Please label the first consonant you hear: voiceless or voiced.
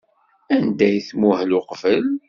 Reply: voiced